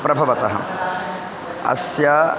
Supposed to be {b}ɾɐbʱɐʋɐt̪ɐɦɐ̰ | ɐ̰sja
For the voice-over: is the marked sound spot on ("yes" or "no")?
no